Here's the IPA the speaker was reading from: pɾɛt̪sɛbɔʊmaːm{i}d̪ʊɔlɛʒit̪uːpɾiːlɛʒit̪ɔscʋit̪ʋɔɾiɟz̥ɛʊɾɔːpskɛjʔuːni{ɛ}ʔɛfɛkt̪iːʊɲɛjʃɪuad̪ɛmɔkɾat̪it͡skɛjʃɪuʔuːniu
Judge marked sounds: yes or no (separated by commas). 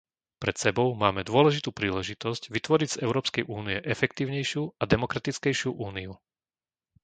no, yes